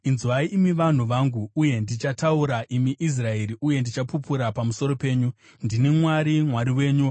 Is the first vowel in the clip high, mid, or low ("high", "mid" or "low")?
high